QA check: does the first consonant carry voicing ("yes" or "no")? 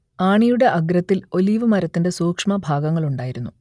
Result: yes